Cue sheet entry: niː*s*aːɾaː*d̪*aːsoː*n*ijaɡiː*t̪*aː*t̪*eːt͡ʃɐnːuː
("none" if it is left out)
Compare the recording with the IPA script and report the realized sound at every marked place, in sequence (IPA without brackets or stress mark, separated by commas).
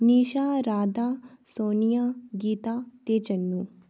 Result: ʃ, d̪, n, t̪, t̪